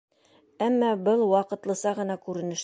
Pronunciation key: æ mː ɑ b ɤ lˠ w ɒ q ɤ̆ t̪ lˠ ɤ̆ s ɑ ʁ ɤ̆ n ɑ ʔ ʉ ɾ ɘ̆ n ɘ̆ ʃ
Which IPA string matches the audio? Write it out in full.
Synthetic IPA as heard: æ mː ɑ b ɤ lˠ w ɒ q ɤ̆ t̪ lˠ ɤ̆ s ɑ ʁ ɤ̆ n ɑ k ʉ ɾ ɘ̆ n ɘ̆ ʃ